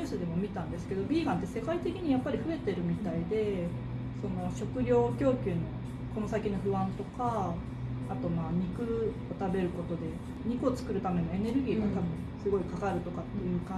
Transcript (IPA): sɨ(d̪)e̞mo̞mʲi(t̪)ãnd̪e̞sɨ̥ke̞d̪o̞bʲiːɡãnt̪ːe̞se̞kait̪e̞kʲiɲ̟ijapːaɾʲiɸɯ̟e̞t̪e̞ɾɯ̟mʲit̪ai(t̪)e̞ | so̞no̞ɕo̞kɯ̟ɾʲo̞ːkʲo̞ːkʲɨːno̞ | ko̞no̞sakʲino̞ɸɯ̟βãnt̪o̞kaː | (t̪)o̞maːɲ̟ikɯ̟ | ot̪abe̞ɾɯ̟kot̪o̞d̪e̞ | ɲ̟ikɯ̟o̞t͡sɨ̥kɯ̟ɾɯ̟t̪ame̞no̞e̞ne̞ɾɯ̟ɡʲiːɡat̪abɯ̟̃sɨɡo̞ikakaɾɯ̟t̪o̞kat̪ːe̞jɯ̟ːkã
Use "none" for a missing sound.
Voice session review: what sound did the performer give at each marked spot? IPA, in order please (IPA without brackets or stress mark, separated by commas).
d̪, t̪, d̪, t̪